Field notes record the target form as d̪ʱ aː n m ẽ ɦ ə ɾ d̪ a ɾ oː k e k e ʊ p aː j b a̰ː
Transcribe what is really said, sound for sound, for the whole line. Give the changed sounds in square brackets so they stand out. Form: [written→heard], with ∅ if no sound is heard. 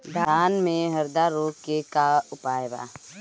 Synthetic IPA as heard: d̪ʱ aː n m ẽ ɦ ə ɾ d̪ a ɾ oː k e k [e→a] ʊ p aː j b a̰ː

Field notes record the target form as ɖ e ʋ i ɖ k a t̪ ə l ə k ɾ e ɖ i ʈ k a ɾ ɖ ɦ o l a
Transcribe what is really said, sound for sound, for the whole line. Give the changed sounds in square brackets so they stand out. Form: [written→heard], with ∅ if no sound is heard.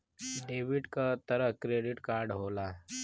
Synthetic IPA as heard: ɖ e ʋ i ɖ k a t̪ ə [l→ɾ] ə k ɾ e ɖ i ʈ k a ɾ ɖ ɦ o l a

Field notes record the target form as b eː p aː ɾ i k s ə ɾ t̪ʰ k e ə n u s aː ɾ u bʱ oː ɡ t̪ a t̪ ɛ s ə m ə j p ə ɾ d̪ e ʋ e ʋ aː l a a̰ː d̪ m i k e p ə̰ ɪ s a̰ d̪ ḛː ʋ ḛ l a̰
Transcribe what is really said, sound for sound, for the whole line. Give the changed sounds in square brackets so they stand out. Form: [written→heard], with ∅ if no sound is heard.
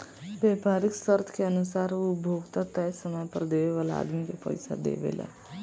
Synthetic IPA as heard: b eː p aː ɾ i k s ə ɾ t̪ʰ k e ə n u s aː ɾ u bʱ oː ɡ t̪ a t̪ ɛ s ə m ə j p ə ɾ d̪ e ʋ e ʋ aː l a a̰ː d̪ m i k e p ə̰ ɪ s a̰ d̪ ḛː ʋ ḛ l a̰

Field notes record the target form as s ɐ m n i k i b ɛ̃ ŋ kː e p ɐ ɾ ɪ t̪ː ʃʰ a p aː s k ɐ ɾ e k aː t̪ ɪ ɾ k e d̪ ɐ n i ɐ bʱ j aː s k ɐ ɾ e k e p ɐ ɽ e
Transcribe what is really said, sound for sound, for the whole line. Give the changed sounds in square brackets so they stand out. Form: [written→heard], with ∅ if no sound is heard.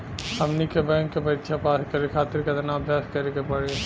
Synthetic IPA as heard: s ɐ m n i k [i→e] b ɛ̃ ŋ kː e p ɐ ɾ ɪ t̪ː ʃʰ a p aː s k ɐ ɾ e [k→kʰ] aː t̪ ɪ ɾ k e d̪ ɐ n [i→a] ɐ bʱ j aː s k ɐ ɾ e k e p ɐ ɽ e

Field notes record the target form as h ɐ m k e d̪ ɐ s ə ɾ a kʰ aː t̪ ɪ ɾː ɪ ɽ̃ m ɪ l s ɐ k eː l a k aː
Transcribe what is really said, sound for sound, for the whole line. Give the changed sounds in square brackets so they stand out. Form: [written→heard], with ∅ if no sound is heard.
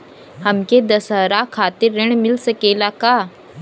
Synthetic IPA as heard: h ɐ m k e d̪ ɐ s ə ɾ a kʰ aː t̪ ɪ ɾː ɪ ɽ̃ m ɪ l s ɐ k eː l a k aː

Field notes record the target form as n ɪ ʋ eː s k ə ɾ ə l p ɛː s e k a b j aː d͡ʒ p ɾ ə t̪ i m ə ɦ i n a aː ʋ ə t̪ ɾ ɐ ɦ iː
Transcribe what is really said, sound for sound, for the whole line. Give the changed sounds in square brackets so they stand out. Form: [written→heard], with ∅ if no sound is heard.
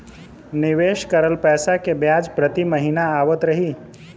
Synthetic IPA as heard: n ɪ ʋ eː [s→ʃ] k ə ɾ ə l p ɛː s [e→a] k [a→e] b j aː d͡ʒ p ɾ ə t̪ i m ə ɦ i n a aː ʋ ə t̪ ɾ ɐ ɦ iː

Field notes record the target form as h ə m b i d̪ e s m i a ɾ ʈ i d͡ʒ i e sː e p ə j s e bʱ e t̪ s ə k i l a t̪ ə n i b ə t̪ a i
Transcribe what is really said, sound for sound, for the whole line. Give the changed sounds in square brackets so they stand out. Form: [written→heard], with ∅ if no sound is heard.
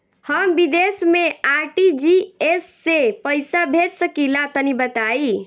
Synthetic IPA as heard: h ə m b i d̪ e s m [i→e] a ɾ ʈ i d͡ʒ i e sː e p ə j s [e→a] bʱ e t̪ s ə k i l a t̪ ə n i b ə t̪ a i

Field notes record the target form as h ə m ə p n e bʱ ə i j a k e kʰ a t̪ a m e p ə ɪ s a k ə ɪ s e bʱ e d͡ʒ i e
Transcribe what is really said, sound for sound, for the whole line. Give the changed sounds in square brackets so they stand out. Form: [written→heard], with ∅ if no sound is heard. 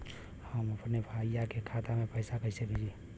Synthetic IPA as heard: h ə m ə p n e bʱ [ə→a] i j a k e kʰ a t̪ a m e p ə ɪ s a k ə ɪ s e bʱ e d͡ʒ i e

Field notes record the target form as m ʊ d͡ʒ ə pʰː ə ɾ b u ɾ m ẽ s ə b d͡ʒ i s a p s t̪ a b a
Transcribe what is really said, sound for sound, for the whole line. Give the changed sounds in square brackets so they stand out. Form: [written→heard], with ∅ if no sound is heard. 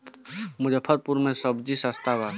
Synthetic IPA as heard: m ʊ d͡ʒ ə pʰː ə ɾ [b→p] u ɾ m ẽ s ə b d͡ʒ i s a [p→∅] s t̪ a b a

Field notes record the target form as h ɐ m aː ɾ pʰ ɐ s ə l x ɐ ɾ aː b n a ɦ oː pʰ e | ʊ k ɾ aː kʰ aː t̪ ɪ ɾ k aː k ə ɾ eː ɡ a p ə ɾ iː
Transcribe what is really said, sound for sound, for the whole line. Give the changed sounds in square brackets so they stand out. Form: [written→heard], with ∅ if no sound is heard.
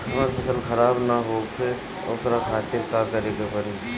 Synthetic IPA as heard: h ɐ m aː ɾ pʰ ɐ s ə l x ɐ ɾ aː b n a ɦ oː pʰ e | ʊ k ɾ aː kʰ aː t̪ ɪ ɾ k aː k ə ɾ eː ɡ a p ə ɾ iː

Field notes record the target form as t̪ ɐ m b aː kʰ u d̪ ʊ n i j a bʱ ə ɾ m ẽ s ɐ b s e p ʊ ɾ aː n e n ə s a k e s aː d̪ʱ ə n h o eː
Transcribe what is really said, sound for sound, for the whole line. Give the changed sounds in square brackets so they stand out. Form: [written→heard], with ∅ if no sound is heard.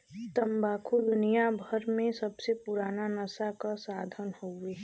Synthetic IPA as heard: t̪ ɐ m b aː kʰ u d̪ ʊ n i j a bʱ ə ɾ m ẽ s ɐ b s e p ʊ ɾ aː n [e→a] n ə s a k [e→a] s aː d̪ʱ ə n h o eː

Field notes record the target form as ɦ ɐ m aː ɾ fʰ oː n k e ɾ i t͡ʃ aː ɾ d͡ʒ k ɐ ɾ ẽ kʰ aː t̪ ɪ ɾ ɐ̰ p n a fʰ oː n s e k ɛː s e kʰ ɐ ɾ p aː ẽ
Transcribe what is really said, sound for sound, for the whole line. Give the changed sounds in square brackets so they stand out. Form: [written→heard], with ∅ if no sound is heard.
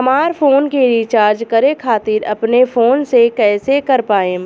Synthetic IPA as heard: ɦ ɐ m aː ɾ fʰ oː n k e ɾ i t͡ʃ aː ɾ d͡ʒ k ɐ ɾ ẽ kʰ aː t̪ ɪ ɾ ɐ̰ p n [a→e] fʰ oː n s e k ɛː s e [kʰ→k] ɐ ɾ p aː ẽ

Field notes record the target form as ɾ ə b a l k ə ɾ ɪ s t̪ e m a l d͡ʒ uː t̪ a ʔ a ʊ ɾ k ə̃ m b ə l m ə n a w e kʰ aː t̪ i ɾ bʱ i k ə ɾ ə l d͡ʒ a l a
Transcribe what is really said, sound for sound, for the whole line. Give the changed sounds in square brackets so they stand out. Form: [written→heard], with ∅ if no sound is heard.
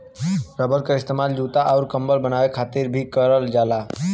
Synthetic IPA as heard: ɾ ə b [a→ə] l k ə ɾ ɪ s t̪ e m a l d͡ʒ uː t̪ a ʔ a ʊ ɾ k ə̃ m b ə l [m→b] ə n a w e kʰ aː t̪ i ɾ bʱ i k ə ɾ ə l d͡ʒ a l a

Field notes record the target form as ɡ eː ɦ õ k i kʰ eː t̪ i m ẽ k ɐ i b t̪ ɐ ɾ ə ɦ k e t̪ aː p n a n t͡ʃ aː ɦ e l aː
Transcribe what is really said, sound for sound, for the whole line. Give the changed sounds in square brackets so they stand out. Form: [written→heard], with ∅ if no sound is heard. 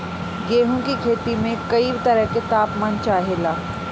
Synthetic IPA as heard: ɡ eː ɦ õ k i kʰ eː t̪ i m ẽ k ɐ i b t̪ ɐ ɾ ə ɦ k e t̪ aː p [n→m] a n t͡ʃ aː ɦ e l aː

